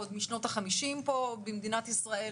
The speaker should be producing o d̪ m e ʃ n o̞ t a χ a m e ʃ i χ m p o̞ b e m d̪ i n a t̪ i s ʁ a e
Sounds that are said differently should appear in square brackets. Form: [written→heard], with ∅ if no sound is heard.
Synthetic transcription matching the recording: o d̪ m [e→i] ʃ n o̞ t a χ a m [e→i] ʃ i [χ→∅] m p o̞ b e m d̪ i n a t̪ i s ʁ a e